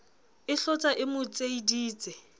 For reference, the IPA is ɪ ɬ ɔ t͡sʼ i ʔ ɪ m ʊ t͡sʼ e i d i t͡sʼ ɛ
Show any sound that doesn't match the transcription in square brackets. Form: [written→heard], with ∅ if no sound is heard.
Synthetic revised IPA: ɪ ɬ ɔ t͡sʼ [i→a] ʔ ɪ m ʊ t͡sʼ e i d [i→iː] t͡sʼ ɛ